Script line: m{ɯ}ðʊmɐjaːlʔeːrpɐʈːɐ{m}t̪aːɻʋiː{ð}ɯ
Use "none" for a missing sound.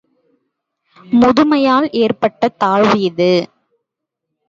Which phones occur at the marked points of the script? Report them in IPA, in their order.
ʊ, none, ð

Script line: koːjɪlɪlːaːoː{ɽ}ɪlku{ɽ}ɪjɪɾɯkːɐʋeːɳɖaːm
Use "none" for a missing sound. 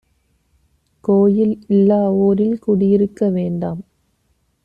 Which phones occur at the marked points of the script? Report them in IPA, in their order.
ɾ, ɽ

